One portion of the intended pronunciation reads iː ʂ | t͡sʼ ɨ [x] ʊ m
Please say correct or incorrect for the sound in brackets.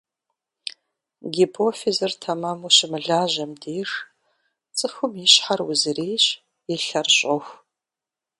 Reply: correct